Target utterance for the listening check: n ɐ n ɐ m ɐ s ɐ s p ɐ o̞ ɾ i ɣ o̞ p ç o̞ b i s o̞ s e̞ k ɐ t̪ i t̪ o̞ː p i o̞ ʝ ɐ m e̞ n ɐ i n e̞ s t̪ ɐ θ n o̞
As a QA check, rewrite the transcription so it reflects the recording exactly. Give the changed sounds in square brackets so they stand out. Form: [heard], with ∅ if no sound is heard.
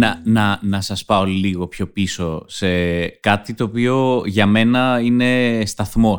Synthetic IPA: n ɐ n ɐ [n] ɐ s ɐ s p ɐ o̞ [l] i ɣ o̞ p ç o̞ [p] i s o̞ s e̞ k ɐ t̪ i t̪ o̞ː p i o̞ ʝ ɐ m e̞ n ɐ i n e̞ s t̪ ɐ θ [m] o̞